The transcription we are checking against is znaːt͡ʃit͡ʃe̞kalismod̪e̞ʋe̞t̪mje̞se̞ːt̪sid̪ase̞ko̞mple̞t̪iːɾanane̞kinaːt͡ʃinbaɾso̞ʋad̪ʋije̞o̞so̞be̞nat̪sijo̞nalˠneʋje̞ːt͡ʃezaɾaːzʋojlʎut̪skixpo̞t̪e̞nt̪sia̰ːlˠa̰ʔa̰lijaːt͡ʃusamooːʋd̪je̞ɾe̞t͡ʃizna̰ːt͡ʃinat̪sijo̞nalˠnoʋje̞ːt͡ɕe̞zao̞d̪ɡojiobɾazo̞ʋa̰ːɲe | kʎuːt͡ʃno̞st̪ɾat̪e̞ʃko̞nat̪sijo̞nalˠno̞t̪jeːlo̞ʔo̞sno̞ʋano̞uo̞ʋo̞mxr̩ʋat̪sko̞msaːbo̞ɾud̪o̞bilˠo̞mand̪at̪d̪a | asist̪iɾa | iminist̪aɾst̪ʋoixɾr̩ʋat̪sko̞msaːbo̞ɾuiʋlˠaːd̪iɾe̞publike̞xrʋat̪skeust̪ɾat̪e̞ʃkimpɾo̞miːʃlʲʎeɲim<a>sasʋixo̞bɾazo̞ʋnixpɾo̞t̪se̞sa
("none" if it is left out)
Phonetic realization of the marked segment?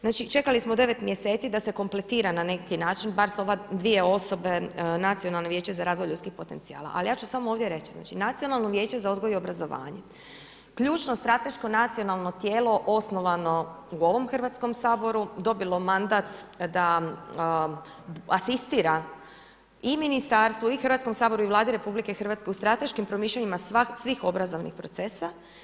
a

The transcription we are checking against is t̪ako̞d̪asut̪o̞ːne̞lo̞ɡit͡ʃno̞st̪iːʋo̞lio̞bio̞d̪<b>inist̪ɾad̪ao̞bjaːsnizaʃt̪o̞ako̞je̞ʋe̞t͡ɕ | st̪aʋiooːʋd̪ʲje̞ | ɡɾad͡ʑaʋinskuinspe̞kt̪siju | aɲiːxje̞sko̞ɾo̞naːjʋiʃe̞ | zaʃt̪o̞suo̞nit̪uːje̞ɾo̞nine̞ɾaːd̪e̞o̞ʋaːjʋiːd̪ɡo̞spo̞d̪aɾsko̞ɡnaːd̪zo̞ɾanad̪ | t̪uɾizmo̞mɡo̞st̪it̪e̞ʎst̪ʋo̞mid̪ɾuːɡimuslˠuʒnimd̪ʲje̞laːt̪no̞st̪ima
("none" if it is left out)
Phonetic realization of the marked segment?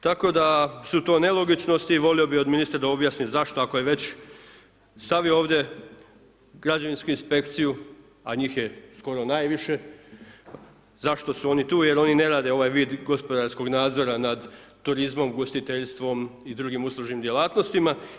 m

